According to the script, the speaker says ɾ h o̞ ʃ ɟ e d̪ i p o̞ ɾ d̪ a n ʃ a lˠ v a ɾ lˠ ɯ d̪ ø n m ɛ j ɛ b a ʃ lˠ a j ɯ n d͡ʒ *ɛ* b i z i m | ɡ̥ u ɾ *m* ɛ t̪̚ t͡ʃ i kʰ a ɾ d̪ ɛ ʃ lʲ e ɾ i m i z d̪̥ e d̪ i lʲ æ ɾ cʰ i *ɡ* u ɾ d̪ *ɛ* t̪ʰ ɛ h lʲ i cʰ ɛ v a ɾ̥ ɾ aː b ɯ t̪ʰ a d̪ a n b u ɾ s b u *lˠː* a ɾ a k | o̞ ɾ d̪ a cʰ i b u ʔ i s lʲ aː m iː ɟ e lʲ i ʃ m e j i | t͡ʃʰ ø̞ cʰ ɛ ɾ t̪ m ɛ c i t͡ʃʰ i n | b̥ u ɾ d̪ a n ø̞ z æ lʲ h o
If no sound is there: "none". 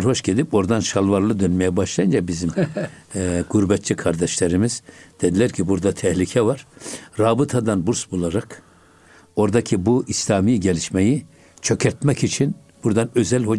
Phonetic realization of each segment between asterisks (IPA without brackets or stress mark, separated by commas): a, b, b, a, lˠ